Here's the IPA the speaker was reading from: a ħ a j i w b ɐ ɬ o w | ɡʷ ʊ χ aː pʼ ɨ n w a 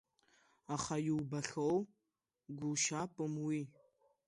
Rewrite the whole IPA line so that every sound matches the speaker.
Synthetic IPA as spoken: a χ a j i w b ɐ ɬ o w | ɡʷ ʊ ʃ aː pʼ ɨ m w i